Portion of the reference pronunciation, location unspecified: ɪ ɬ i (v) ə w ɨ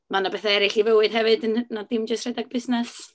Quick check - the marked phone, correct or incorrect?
correct